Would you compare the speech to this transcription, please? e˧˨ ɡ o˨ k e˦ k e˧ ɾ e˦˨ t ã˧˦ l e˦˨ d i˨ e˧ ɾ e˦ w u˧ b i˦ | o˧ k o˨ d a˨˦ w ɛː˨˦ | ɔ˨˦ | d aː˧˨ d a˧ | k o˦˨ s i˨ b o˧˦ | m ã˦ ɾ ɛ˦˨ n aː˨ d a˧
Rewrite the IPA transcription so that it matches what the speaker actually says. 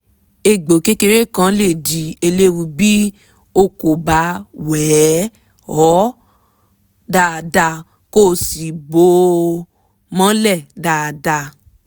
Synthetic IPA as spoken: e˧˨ ɡ͡b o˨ k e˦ k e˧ ɾ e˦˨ k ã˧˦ l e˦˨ d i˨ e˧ l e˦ w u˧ b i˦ | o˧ k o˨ b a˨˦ w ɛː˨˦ | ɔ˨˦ | d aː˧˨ d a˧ | k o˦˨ s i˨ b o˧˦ | m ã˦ l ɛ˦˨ d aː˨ d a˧